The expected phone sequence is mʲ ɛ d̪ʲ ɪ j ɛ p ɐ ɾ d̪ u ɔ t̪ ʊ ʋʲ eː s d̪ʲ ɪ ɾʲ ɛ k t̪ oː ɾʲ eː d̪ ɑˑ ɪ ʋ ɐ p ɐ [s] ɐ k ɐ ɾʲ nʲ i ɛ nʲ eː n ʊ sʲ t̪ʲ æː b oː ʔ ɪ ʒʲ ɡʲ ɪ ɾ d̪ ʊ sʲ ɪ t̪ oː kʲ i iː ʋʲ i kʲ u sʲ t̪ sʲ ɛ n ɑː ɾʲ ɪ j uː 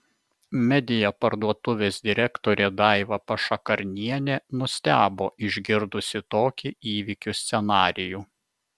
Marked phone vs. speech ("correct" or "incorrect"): incorrect